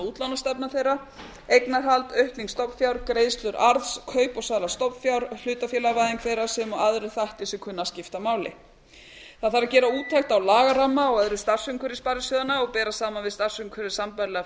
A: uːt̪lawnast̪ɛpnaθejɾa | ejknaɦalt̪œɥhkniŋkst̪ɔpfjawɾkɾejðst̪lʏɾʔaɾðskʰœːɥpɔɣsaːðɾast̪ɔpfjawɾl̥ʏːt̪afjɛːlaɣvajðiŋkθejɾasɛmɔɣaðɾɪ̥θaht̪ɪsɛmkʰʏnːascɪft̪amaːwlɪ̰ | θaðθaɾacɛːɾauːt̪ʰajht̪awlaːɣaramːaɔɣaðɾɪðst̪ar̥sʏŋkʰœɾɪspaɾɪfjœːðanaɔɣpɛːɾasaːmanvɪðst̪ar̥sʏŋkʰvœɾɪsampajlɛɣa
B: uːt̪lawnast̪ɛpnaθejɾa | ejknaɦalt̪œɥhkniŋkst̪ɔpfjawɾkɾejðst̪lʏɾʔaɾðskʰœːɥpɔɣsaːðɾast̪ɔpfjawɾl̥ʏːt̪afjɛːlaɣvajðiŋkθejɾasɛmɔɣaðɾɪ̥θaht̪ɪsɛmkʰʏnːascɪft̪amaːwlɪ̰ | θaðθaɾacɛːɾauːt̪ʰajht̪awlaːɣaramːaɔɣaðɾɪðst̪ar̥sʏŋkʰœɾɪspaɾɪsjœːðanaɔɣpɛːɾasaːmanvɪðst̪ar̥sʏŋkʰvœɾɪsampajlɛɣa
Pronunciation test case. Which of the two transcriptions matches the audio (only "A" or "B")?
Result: B